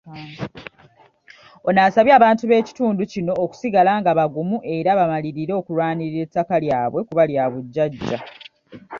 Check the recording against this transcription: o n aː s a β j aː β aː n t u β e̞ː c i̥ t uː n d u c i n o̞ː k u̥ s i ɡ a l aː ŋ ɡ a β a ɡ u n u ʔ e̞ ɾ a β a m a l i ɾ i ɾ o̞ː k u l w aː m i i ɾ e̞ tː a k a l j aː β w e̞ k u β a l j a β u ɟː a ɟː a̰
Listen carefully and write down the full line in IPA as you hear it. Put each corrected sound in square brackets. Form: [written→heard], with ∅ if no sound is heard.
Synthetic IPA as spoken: o n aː s a β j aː β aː n t u β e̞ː c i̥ t uː n d u c i n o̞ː k u̥ s i ɡ a l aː ŋ ɡ a β a ɡ u [n→m] u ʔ e̞ ɾ a β a m a l i ɾ i ɾ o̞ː k u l w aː [m→n] i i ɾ e̞ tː a k a l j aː β w e̞ k u β a l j a β u ɟː a ɟː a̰